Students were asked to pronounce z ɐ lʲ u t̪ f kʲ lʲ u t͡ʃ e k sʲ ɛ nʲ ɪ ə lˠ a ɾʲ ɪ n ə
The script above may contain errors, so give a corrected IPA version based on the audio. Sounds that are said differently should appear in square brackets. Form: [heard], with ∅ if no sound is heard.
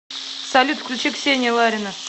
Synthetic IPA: [s] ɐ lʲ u t̪ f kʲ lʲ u t͡ʃ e k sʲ [e] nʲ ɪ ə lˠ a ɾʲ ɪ n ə